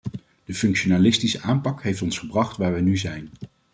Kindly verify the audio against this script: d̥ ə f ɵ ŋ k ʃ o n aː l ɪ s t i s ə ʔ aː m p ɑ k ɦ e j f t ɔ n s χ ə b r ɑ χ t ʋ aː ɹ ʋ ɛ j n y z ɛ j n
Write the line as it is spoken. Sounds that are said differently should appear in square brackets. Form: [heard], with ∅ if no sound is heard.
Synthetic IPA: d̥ ə f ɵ ŋ k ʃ o n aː l ɪ s t i s ə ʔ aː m p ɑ k ɦ e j f t ɔ n s χ ə b r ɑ χ t ʋ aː ɹ ʋ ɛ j n y z ɛ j n